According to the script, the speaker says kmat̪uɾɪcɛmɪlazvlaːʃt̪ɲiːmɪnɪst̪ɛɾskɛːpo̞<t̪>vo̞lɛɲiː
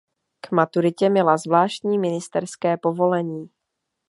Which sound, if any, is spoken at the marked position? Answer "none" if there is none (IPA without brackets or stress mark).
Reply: none